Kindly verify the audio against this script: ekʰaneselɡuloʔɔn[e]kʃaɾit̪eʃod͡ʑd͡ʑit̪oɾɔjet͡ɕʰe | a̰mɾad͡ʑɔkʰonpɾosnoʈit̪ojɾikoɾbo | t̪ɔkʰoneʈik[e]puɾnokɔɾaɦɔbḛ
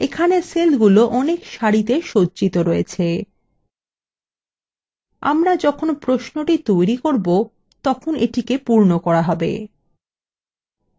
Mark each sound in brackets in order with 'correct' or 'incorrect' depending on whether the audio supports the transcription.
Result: correct, correct

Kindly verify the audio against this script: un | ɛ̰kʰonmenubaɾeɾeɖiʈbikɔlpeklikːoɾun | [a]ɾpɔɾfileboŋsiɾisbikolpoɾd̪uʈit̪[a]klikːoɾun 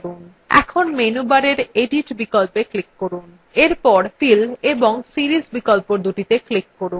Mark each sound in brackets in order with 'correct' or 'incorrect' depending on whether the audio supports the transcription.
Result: incorrect: e, incorrect: e

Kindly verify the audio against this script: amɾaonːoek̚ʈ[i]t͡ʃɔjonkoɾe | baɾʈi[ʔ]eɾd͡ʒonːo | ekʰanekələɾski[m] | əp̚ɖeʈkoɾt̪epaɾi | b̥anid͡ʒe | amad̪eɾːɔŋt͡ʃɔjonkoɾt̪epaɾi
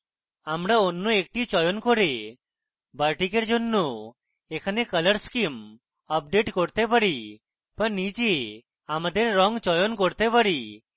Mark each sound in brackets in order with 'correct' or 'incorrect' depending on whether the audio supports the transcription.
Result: correct, incorrect: k, correct

